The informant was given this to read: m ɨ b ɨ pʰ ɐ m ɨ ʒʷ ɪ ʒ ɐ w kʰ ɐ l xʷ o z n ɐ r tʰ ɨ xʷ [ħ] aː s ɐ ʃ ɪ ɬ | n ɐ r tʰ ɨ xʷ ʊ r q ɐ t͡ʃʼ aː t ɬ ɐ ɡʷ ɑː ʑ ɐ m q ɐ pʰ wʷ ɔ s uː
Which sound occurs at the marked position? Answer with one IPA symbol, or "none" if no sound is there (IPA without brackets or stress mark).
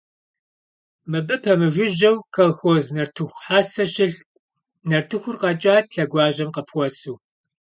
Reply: ħ